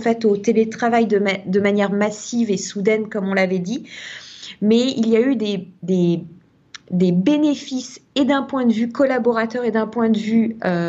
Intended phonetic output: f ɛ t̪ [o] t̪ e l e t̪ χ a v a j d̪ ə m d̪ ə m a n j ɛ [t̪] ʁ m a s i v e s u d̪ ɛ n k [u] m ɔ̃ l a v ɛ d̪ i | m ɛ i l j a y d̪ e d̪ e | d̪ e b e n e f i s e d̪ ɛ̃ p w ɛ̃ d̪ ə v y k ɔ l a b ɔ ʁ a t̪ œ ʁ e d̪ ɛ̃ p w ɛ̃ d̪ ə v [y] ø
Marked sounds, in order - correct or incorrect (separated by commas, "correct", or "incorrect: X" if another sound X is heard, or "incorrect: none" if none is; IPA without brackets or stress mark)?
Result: correct, incorrect: none, incorrect: ɔ, correct